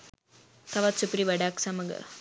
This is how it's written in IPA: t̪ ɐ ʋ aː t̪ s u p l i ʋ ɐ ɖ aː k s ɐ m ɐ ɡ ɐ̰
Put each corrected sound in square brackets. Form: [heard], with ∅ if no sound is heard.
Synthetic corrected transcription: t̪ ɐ ʋ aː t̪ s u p [ɾ] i ʋ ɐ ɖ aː k s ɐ m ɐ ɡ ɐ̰